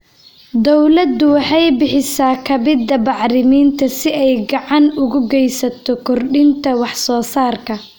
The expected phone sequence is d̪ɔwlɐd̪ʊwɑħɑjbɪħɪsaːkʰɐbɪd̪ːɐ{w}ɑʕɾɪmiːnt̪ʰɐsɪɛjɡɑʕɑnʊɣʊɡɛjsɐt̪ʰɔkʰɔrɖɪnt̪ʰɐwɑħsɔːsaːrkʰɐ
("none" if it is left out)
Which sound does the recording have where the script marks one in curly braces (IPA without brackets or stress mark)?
b